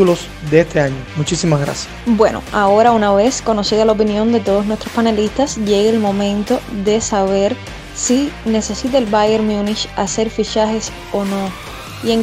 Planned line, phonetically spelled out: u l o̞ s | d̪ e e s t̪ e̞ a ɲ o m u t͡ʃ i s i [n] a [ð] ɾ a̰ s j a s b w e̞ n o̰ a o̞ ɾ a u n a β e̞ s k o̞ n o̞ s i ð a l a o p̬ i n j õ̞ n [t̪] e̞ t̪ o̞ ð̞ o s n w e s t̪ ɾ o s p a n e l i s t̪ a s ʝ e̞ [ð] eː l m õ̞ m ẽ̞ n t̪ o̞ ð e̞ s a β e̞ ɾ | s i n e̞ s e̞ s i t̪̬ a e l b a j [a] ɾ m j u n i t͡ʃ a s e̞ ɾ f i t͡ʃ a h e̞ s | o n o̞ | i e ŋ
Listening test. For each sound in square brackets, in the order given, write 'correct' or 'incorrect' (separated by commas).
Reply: incorrect, incorrect, incorrect, incorrect, incorrect